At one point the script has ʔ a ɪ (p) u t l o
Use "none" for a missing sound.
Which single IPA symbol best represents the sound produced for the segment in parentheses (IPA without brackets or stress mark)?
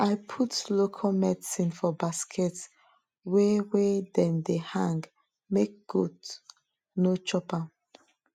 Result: pʰ